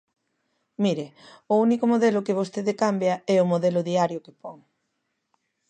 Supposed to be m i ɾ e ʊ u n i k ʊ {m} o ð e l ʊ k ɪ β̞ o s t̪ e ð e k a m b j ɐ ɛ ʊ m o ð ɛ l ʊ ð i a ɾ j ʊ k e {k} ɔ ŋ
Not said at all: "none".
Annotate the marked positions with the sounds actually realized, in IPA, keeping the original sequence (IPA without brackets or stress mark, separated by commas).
m, p